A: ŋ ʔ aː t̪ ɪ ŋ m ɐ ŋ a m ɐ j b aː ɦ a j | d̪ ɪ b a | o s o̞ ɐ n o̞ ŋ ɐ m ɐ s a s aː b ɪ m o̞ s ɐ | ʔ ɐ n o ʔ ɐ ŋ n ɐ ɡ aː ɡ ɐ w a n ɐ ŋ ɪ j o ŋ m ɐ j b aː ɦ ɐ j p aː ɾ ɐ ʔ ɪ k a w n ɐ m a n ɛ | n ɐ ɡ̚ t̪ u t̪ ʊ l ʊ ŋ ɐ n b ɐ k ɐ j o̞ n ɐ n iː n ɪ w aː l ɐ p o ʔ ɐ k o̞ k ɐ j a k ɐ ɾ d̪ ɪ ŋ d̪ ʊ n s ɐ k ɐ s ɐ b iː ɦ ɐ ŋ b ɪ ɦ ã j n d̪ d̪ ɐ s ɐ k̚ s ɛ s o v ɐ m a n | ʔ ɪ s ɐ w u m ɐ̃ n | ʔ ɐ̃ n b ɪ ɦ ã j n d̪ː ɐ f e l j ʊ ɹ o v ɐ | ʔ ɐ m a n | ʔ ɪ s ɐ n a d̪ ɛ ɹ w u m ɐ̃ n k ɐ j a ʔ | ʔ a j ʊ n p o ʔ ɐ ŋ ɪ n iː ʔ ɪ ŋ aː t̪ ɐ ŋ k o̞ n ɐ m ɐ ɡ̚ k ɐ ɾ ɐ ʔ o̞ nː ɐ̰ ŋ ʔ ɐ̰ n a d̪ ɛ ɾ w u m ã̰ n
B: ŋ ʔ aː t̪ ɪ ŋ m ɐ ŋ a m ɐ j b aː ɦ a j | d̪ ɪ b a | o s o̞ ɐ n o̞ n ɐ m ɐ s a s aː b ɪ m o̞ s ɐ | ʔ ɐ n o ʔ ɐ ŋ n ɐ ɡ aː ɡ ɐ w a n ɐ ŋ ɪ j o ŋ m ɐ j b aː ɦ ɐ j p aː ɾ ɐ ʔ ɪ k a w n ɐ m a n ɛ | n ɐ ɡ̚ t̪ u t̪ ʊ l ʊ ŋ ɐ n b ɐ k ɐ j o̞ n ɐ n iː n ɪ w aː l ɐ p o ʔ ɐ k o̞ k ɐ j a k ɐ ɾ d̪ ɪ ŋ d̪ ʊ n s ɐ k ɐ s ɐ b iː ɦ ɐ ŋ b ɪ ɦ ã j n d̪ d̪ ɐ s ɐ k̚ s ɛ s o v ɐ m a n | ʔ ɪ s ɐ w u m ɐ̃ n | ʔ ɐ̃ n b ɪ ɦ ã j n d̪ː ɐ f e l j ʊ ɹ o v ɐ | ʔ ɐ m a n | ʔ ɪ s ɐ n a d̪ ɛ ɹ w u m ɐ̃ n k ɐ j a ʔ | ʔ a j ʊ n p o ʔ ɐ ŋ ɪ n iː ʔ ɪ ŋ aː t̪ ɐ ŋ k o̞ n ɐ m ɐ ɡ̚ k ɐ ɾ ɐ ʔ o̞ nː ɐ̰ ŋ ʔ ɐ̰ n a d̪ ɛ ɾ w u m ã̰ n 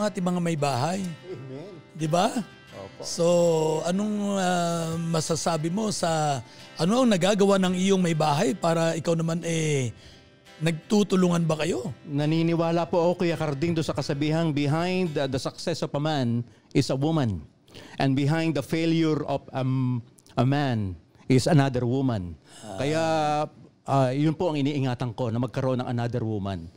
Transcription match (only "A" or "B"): A